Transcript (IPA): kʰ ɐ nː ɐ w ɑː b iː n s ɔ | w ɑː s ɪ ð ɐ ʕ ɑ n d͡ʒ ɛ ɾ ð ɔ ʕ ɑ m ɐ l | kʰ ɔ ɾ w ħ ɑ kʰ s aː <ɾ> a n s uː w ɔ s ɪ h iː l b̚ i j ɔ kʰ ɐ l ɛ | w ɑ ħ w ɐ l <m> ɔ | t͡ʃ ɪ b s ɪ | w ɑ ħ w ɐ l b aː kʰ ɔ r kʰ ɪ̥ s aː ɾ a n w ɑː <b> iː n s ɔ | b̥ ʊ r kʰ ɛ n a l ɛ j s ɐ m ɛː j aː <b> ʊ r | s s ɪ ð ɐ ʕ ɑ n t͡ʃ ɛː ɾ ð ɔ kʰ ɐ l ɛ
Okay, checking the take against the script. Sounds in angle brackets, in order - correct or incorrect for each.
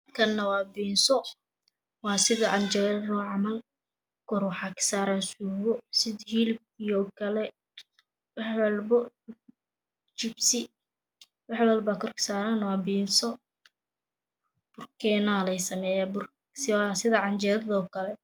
correct, incorrect: b, correct, correct

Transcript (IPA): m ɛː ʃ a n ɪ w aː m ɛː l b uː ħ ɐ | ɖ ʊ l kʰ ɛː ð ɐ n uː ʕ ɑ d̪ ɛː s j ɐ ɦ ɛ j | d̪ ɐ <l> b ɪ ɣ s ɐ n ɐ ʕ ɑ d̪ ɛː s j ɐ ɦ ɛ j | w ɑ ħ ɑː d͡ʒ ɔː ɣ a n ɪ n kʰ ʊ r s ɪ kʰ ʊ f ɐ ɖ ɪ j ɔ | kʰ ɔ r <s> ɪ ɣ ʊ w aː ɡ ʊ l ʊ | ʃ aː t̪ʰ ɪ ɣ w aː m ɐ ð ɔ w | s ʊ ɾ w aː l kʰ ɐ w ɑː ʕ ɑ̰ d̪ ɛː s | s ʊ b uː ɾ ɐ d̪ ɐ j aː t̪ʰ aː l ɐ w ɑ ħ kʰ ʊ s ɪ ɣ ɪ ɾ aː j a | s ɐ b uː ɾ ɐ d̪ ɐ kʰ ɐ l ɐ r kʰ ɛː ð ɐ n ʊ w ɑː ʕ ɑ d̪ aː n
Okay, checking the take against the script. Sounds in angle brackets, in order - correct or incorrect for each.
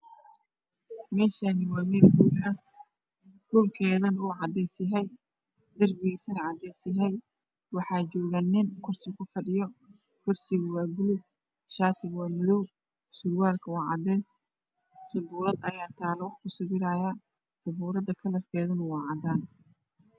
incorrect: r, correct

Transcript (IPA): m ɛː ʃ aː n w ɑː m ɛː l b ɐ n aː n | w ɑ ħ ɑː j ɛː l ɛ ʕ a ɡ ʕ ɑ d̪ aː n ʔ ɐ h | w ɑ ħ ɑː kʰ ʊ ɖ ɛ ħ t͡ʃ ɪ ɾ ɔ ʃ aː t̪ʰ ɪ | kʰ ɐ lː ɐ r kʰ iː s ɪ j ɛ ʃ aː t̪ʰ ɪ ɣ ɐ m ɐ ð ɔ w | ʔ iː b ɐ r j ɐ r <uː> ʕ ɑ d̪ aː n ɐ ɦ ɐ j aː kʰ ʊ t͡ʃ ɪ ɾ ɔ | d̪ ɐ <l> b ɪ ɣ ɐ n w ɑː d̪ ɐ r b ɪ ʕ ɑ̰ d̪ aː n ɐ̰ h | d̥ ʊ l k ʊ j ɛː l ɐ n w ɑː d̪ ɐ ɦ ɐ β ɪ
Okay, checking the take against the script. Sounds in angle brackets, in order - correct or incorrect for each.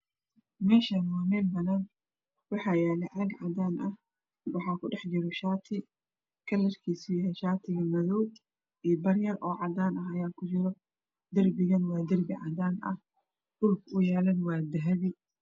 incorrect: ɔː, incorrect: r

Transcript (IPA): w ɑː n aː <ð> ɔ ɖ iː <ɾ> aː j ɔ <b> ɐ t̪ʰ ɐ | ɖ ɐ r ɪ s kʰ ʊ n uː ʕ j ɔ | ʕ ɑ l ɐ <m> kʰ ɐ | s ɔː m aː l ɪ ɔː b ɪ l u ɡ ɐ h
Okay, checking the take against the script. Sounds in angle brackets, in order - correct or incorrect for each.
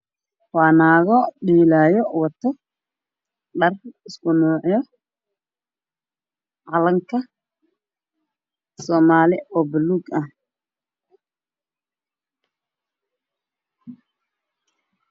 incorrect: ɣ, incorrect: l, incorrect: w, incorrect: ŋ

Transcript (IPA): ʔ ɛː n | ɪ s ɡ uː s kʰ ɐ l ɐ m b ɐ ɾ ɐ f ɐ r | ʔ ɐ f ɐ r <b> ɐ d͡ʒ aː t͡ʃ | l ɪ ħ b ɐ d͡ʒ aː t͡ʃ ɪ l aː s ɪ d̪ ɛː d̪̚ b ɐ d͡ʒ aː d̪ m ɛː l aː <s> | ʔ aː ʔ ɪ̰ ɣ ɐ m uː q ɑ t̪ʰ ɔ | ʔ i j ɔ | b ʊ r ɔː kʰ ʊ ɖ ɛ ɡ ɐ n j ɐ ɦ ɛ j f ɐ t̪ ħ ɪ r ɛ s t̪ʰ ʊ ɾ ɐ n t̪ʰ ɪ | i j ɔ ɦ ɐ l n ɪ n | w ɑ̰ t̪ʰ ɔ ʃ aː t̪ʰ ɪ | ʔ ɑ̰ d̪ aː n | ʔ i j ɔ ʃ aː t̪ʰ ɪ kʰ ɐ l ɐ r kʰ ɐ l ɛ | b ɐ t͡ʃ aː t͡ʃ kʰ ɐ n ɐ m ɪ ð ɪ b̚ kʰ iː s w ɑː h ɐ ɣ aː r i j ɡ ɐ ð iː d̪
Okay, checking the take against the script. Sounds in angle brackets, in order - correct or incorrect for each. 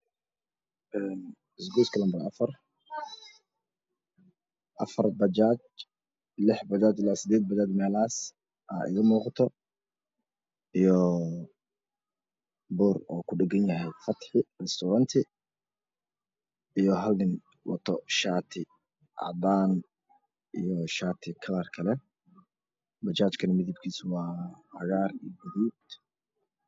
correct, correct

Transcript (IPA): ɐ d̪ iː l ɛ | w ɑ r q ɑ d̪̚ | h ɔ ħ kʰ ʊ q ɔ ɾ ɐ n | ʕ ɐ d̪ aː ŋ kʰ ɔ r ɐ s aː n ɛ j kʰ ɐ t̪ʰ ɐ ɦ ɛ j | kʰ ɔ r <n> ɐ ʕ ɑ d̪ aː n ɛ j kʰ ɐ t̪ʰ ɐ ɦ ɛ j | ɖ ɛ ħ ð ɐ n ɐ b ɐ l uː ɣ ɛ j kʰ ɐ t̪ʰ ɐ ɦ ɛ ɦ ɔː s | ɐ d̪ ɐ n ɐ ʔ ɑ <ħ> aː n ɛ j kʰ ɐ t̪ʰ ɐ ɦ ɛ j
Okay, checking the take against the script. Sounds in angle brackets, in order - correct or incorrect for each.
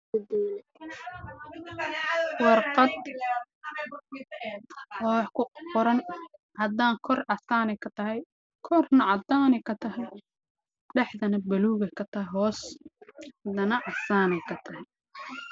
correct, incorrect: s

